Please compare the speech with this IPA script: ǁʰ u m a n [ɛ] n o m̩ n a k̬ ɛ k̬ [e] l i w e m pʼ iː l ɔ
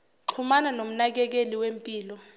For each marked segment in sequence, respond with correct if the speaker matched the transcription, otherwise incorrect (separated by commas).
incorrect, correct